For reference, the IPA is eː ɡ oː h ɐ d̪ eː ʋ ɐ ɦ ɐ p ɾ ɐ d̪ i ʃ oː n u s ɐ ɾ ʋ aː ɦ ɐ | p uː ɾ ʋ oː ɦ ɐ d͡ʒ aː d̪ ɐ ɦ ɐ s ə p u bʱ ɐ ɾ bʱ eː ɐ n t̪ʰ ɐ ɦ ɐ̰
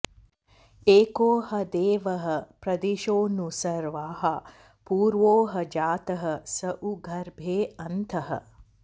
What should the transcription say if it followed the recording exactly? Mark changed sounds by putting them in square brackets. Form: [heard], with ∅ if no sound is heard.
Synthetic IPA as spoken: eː [k] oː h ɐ d̪ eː ʋ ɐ ɦ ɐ p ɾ ɐ d̪ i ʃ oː n u s ɐ ɾ ʋ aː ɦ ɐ | p uː ɾ ʋ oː ɦ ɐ d͡ʒ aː [t̪] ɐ ɦ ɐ s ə [ʔ] u [ɡʱ] ɐ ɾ bʱ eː ɐ n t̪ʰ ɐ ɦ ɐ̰